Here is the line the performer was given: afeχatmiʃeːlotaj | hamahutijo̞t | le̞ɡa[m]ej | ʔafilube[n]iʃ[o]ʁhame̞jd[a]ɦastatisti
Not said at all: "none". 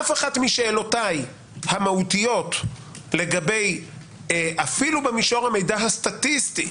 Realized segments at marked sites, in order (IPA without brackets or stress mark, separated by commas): b, m, o, a